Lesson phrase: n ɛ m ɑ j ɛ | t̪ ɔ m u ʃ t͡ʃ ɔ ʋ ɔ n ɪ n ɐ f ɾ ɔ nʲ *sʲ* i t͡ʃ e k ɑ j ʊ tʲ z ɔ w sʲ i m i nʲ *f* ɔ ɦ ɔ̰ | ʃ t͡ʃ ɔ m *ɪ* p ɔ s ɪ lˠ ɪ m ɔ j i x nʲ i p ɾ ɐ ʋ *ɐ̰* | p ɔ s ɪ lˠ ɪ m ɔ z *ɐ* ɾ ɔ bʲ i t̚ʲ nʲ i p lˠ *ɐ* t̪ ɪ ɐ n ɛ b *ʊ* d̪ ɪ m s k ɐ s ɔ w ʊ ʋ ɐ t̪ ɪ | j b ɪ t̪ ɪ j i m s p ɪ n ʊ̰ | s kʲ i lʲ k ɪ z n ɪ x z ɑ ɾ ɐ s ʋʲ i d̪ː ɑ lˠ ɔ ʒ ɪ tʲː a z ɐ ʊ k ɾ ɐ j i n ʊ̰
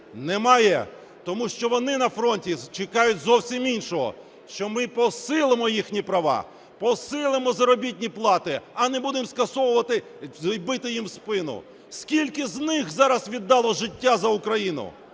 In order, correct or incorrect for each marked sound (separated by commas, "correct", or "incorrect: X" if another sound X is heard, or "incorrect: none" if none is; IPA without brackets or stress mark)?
incorrect: tʲ, incorrect: ʃ, correct, incorrect: ɑ̰, correct, incorrect: ɑ, incorrect: u